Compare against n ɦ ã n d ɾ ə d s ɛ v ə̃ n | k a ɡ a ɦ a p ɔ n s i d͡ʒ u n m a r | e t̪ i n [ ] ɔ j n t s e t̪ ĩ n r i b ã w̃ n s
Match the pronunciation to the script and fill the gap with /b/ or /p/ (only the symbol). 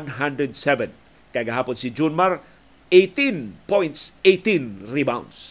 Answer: p